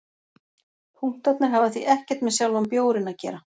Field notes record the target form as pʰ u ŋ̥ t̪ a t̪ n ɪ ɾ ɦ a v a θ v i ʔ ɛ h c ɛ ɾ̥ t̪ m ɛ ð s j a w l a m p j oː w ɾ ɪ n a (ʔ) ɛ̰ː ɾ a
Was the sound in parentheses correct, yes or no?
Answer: no